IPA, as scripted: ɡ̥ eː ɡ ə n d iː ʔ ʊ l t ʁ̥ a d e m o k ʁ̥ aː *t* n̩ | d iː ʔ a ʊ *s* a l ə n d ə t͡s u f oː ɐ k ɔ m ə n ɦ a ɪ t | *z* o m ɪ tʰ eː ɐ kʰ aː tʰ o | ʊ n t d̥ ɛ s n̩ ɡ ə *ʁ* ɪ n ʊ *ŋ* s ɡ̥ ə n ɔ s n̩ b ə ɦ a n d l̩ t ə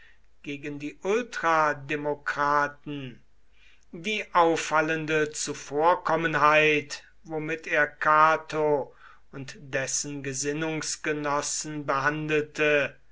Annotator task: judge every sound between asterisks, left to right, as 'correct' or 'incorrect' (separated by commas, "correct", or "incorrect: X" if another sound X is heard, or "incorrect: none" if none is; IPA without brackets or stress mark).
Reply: correct, incorrect: f, incorrect: v, incorrect: z, correct